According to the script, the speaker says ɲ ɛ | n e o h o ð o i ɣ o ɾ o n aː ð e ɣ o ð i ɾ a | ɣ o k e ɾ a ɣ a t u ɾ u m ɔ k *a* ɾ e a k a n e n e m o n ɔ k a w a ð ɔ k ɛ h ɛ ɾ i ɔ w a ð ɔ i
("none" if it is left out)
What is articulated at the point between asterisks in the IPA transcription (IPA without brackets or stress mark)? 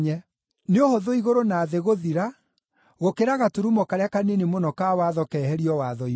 a